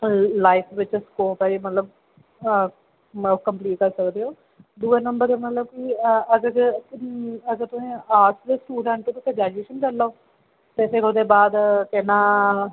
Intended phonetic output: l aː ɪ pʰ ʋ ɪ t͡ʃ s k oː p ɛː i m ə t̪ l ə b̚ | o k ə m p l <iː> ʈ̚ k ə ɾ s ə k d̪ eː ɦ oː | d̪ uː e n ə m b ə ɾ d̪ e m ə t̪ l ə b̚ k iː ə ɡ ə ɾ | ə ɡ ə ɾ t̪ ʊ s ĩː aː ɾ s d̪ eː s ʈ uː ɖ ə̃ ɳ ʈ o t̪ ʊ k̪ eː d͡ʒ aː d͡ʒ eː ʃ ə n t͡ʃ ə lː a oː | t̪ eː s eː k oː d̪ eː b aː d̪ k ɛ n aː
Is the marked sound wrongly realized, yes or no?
no